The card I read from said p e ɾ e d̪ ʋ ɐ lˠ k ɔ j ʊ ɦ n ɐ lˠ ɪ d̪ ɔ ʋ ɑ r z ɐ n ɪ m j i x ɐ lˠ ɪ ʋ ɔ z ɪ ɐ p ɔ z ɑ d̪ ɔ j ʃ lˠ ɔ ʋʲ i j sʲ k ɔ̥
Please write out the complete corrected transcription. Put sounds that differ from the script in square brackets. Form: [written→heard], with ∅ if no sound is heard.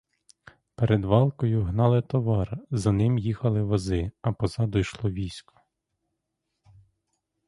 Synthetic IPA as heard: p e ɾ e d̪ ʋ [ɐ→ɑ] lˠ k ɔ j ʊ ɦ n [ɐ→ɑ] lˠ ɪ [d̪→t̪] ɔ ʋ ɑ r z ɐ n ɪ m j i x ɐ lˠ ɪ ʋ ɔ z ɪ ɐ p ɔ z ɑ d̪ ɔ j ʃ lˠ ɔ ʋʲ i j sʲ k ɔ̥